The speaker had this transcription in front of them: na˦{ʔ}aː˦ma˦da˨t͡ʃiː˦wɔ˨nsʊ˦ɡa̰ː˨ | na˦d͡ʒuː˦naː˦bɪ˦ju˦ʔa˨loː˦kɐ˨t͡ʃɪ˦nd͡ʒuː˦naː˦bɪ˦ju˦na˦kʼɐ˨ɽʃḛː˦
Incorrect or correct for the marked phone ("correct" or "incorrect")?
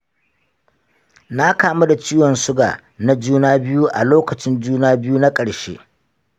incorrect